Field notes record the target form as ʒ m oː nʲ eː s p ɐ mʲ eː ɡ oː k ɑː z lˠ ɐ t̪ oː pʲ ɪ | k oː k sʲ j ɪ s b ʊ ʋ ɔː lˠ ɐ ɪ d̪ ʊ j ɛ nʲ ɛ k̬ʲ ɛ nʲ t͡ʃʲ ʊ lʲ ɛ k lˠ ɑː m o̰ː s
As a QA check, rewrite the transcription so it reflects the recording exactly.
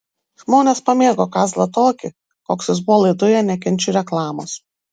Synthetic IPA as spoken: ʒ m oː nʲ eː s p ɐ mʲ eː ɡ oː k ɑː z lˠ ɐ t̪ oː kʲ ɪ | k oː k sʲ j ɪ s b ʊ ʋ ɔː lˠ ɐ ɪ d̪ ʊ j ɛ nʲ ɛ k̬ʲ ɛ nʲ t͡ʃʲ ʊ ɾʲ ɛ k lˠ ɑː m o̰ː s